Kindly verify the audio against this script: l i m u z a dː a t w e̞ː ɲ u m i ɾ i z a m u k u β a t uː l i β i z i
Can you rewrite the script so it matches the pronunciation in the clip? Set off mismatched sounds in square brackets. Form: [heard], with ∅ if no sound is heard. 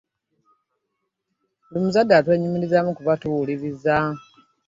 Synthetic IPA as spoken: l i m u z a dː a t w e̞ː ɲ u m i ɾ i z a m u k u β a t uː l i β i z [a]

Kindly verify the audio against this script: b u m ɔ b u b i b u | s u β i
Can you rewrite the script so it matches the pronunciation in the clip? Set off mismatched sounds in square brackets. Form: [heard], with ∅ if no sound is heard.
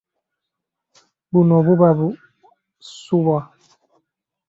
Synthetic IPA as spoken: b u [n] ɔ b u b [a] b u | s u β [a]

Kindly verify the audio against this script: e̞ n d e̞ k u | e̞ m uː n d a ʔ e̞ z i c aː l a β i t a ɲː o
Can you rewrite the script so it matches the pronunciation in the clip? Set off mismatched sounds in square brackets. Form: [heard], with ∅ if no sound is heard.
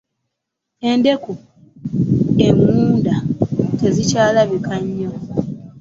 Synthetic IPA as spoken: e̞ n d e̞ k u | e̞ m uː n d a [t] e̞ z i c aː l a β i [k] a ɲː o

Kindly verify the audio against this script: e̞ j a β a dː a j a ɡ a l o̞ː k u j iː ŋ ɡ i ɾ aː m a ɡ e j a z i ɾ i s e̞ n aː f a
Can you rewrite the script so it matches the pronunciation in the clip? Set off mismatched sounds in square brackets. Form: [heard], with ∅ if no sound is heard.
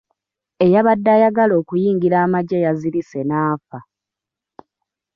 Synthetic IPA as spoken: e̞ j a β a dː a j a ɡ a l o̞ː k u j iː ŋ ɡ i ɾ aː m a [ɟ] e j a z i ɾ i s e̞ n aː f a

